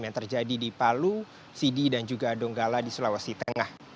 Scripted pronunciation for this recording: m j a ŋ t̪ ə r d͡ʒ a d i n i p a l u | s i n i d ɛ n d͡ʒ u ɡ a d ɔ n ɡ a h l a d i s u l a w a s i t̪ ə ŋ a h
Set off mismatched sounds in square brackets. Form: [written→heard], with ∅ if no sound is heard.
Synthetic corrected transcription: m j a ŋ t̪ ə r d͡ʒ a d i [n→d] i p a l u | s i [n→d] i d [ɛ→a] n d͡ʒ u ɡ a d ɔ [n→ŋ] ɡ a [h→∅] l a d i s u l a w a s i t̪ ə ŋ a h